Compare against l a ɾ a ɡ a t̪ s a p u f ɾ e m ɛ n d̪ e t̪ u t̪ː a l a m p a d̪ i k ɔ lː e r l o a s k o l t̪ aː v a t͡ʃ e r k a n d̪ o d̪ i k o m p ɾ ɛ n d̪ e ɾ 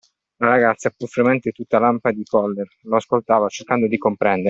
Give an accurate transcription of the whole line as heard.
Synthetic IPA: l a ɾ a ɡ a t̪ s a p u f ɾ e m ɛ n t̪ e t̪ u t̪ː a l a m p a d̪ i k ɔ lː e r l o a s k o l t̪ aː v a t͡ʃ e r k a n d̪ o d̪ i k o m p ɾ ɛ n d̪ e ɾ